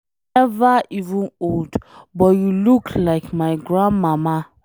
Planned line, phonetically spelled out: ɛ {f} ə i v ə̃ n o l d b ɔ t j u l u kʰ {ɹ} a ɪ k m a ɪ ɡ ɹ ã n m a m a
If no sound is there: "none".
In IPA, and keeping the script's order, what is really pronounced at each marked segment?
v, l

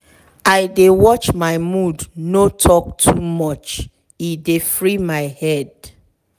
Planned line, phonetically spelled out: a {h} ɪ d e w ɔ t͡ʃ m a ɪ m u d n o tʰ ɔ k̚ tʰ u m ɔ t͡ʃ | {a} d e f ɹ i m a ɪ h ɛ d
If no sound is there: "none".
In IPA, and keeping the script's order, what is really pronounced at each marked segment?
none, i

